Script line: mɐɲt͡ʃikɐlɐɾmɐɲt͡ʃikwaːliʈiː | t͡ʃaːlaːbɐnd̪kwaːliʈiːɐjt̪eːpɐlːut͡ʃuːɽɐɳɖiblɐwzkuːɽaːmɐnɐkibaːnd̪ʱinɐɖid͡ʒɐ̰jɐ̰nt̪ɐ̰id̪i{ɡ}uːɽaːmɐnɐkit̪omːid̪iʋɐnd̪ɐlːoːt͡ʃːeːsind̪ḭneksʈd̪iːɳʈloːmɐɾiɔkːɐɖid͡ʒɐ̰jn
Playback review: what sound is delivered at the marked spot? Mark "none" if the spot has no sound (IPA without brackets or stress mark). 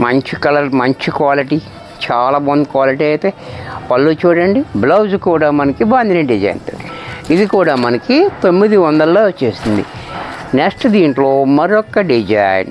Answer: k